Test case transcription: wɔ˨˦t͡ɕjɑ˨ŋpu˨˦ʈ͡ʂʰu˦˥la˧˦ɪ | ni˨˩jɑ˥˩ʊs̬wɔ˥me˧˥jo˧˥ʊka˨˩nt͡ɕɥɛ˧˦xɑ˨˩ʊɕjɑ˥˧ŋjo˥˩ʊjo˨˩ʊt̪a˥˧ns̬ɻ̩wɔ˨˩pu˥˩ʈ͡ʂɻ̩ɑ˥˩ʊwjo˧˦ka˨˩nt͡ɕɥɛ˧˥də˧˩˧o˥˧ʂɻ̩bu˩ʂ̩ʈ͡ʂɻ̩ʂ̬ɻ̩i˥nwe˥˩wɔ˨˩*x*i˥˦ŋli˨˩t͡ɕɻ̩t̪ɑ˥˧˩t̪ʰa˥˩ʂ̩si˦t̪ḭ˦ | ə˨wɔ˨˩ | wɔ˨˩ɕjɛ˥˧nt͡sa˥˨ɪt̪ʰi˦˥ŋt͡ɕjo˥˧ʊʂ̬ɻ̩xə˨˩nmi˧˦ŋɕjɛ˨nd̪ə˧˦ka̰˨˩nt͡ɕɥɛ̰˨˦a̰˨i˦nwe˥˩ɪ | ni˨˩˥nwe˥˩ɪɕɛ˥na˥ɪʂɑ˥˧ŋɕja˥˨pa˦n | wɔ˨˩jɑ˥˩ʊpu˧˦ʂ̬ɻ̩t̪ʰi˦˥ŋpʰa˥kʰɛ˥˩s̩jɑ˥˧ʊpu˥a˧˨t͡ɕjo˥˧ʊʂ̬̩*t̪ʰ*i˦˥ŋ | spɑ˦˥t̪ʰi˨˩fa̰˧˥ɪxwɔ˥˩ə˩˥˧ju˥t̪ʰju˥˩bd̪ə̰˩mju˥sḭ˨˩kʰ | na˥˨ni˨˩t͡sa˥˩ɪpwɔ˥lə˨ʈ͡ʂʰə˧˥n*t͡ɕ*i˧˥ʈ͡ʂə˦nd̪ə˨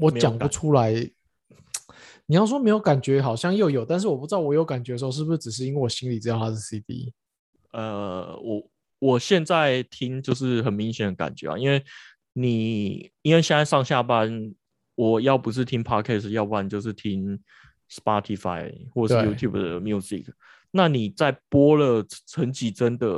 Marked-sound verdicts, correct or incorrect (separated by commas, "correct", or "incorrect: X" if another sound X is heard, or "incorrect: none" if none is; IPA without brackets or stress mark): incorrect: ɕ, correct, correct